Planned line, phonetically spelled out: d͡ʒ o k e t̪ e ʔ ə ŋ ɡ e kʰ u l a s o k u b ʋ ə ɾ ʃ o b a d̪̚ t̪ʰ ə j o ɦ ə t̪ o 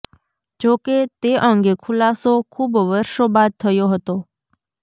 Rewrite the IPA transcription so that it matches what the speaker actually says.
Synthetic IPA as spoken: d͡ʒ o k e t̪ e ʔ ə ŋ ɡ e kʰ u l a s o kʰ u b ʋ ə ɾ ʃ o b a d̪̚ t̪ʰ ə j o ɦ ə t̪ o